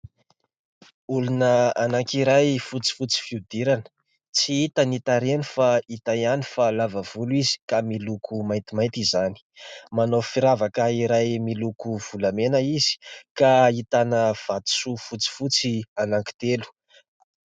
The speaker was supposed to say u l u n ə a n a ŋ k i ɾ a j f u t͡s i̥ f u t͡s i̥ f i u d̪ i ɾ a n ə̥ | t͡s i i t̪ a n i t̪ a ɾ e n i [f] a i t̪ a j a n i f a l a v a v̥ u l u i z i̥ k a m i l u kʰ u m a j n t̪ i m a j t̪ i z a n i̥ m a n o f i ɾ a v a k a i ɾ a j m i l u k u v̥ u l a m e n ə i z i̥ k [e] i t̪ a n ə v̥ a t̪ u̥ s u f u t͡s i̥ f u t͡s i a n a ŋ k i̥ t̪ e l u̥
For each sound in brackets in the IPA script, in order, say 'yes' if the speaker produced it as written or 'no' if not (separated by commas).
yes, no